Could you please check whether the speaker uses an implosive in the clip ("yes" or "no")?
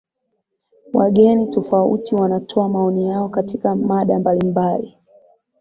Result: yes